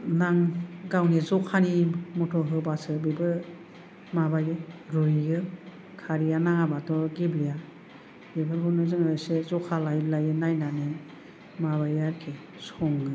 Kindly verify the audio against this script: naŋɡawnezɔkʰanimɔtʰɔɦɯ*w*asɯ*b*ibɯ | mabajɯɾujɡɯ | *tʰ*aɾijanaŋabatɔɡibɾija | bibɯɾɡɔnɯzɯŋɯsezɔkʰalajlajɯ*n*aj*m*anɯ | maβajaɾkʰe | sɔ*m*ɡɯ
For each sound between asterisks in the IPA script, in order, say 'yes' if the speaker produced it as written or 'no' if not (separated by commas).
no, yes, no, yes, no, no